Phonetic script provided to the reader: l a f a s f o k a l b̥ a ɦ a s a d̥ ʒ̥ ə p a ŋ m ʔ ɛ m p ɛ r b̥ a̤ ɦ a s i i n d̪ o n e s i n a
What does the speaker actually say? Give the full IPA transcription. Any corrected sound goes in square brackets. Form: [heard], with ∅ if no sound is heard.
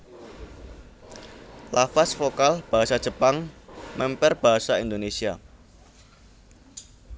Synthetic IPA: l a f a s f o k a l b̥ a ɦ a s a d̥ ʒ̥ ə p a ŋ m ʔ ɛ m p ɛ r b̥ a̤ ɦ a s [a] i n d̪ o n e s i [∅] a